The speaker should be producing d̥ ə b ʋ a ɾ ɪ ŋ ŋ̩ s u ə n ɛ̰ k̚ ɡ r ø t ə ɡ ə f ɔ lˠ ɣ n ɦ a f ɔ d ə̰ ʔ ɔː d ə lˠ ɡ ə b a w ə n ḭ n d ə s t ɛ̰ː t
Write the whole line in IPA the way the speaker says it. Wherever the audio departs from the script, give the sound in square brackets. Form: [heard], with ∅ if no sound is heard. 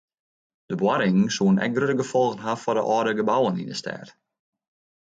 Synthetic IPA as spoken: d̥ ə b [w] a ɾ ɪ ŋ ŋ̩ s u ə n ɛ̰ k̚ ɡ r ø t ə ɡ ə f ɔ lˠ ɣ n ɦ a f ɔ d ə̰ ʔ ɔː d ə [∅] ɡ ə b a w ə n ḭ n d ə s t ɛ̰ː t